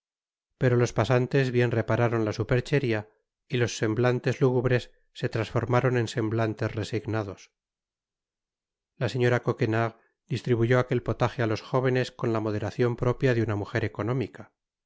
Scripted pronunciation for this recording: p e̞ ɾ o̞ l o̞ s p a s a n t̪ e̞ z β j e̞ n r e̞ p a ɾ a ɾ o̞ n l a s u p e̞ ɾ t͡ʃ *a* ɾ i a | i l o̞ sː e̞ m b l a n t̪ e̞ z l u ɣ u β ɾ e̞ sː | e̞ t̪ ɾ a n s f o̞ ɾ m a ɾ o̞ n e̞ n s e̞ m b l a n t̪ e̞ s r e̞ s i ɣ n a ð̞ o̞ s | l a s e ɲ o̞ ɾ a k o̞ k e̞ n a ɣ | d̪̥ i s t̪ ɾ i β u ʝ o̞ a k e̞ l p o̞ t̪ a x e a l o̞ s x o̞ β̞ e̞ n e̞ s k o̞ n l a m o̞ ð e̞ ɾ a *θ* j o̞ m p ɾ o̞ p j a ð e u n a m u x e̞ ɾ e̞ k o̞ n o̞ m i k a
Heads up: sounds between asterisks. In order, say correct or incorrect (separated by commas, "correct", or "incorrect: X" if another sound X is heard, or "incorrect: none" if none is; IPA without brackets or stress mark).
incorrect: e, correct